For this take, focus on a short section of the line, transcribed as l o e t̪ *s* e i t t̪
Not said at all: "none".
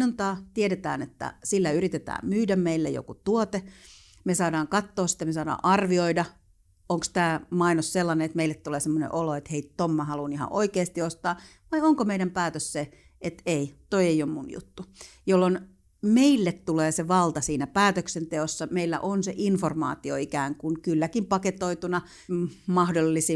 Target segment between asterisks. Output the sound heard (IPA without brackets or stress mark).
h